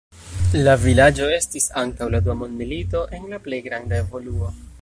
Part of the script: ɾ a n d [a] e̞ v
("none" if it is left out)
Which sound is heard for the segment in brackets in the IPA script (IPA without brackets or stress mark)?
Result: a